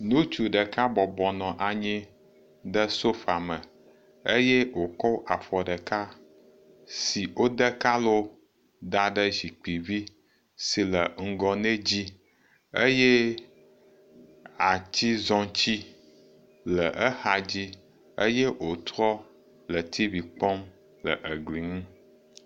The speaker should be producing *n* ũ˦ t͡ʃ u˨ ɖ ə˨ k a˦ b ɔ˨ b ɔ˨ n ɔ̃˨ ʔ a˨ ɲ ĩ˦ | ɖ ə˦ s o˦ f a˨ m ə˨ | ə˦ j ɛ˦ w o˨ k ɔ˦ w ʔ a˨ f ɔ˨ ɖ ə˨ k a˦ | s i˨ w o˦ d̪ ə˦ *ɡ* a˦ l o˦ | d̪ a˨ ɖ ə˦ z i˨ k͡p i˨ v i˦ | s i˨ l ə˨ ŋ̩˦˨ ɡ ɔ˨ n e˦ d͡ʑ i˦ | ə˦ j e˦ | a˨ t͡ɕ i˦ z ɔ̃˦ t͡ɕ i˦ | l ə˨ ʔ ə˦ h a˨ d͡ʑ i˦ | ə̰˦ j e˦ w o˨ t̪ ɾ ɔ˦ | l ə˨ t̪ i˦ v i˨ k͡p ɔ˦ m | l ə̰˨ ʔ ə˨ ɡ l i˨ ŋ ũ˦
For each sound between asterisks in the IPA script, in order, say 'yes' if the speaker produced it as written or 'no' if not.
yes, no

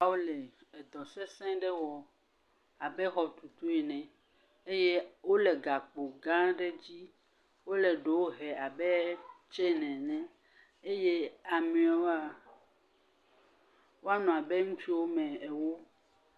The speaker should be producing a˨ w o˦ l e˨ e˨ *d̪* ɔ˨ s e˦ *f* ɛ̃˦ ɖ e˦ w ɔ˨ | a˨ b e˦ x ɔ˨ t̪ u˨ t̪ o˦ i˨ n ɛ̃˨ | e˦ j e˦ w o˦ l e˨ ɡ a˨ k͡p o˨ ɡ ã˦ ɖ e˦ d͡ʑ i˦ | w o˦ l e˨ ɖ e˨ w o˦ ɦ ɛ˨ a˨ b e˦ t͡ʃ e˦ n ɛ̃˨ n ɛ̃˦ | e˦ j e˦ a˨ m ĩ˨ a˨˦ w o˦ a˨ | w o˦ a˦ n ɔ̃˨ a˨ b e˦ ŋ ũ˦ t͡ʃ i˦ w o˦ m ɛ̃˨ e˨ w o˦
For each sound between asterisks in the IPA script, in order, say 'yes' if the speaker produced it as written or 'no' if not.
yes, no

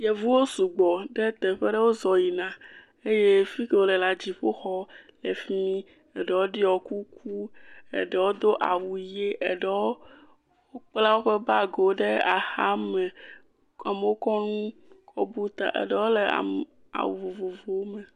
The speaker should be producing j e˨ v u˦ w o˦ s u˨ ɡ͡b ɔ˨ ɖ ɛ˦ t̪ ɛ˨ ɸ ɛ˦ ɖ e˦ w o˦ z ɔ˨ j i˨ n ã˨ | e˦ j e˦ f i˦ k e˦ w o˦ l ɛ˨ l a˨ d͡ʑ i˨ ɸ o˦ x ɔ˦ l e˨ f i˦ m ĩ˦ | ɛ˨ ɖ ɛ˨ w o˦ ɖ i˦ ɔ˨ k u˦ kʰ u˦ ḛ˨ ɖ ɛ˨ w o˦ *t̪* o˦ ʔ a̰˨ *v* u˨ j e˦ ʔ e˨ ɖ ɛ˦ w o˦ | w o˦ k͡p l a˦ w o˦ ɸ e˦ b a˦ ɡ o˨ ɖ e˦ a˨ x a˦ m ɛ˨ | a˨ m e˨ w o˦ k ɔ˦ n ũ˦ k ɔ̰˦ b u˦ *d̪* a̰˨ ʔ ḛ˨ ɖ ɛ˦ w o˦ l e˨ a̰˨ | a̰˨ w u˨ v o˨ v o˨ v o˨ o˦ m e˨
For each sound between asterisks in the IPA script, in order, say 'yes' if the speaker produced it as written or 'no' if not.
no, no, no

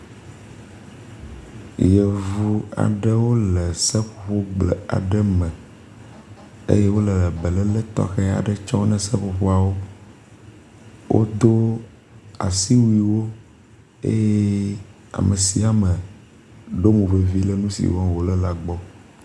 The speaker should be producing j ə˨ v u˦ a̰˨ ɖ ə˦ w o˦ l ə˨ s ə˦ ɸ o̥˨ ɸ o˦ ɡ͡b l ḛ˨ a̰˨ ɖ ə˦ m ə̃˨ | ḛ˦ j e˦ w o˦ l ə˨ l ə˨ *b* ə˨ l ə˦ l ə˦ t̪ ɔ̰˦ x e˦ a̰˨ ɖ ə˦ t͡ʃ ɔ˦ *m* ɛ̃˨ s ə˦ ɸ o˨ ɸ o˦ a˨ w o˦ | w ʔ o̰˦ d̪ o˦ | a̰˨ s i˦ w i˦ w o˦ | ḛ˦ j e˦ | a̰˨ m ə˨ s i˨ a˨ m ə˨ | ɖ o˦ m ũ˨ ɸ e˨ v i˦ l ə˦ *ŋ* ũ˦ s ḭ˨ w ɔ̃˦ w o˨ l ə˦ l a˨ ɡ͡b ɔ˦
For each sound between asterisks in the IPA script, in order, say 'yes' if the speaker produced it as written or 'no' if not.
yes, no, no

